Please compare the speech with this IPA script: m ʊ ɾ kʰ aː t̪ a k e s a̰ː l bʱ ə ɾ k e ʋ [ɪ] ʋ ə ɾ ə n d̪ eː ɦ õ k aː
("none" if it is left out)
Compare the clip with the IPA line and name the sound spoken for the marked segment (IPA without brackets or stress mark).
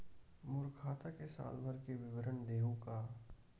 ɪ